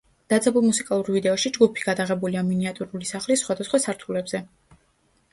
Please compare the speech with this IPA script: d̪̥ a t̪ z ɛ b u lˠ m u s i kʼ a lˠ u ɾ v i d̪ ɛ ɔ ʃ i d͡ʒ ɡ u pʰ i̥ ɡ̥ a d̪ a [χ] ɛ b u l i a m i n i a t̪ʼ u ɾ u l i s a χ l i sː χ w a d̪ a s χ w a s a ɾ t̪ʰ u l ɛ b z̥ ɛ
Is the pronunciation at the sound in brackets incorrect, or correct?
incorrect